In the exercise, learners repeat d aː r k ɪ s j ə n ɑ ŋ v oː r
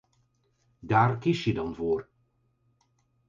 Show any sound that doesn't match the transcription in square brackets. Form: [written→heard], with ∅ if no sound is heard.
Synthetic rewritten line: d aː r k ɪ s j ə [n→d] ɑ [ŋ→n] v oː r